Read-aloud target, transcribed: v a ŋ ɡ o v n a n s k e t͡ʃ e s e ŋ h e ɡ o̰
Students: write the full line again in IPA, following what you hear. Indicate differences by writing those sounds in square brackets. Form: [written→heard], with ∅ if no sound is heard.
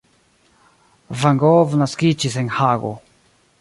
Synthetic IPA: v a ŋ ɡ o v n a [n→∅] s k [e→i] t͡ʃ [e→i] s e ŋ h [e→a] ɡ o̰